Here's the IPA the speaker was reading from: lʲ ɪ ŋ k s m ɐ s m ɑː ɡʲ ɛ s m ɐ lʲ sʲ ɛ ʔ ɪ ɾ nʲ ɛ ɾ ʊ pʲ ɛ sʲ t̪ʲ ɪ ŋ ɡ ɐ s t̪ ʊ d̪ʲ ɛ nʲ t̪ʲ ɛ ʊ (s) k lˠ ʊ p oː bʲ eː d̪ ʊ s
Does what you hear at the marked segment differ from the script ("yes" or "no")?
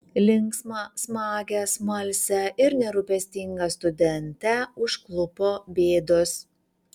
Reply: yes